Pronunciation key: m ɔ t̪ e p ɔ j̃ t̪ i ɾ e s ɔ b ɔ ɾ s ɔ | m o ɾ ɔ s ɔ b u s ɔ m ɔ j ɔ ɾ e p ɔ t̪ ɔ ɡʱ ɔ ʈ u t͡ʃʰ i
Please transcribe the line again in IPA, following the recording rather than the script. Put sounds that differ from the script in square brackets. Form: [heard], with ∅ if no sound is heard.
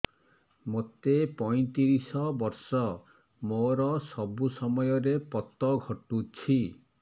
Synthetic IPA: m [o] t̪ e p ɔ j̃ t̪ i ɾ [i] s ɔ b ɔ ɾ s ɔ | m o ɾ ɔ s ɔ b u s ɔ m ɔ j ɔ ɾ e p ɔ t̪ ɔ ɡʱ ɔ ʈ u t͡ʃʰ i